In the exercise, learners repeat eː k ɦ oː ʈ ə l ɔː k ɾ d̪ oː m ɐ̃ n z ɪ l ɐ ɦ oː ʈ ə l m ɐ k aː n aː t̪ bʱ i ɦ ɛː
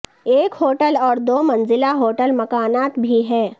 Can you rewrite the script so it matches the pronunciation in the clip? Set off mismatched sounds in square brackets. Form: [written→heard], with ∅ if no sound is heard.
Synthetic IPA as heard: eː k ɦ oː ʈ ə l ɔː [k→∅] ɾ d̪ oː m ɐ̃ n z ɪ l [ɐ→a] ɦ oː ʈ ə l m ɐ k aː n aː t̪ bʱ i ɦ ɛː